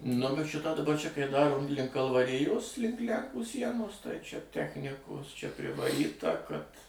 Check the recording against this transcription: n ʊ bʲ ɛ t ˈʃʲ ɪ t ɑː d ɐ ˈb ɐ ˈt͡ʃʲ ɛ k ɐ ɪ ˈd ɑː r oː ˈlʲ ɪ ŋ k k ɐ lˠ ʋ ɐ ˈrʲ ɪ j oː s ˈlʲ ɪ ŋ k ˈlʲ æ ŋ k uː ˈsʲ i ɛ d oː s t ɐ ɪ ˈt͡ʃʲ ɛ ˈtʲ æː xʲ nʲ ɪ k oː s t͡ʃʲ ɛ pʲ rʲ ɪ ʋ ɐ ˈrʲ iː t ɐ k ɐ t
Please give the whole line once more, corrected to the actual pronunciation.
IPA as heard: n ʊ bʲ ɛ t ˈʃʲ ɪ t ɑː d ɐ ˈb ɐ ˈt͡ʃʲ ɛ k ɐ ɪ ˈd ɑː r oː ˈlʲ ɪ ŋ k k ɐ lˠ ʋ ɐ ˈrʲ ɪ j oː s ˈlʲ ɪ ŋ k ˈlʲ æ ŋ k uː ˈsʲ i ɛ n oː s t ɐ ɪ ˈt͡ʃʲ ɛ ˈtʲ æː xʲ nʲ ɪ k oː s t͡ʃʲ ɛ pʲ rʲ ɪ ʋ ɐ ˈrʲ iː t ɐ k ɐ t